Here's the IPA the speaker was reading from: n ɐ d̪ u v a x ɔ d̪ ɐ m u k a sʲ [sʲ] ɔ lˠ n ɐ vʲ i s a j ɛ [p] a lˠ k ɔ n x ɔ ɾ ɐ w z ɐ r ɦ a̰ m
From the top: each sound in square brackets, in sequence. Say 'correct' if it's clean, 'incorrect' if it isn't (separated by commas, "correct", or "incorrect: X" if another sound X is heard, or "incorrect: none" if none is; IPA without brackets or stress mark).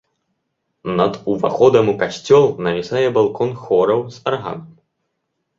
incorrect: t͡sʲ, incorrect: b